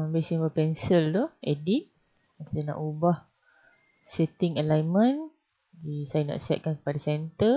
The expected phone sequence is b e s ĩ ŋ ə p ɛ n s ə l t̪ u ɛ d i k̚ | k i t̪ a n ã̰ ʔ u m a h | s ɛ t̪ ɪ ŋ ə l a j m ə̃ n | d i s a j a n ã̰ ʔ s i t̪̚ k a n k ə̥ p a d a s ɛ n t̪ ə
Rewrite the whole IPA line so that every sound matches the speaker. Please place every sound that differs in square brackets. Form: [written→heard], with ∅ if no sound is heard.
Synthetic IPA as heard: b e s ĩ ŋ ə p ɛ n s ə l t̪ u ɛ d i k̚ | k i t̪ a n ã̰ ʔ u [m→b] a h | s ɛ t̪ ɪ ŋ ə l a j m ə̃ n | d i s a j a n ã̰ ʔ s [i→ɛ] t̪̚ k a n k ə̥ p a d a s ɛ n t̪ ə